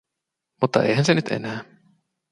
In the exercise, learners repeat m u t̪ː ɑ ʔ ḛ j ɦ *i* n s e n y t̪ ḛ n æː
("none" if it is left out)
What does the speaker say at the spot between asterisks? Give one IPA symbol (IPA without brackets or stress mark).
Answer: æ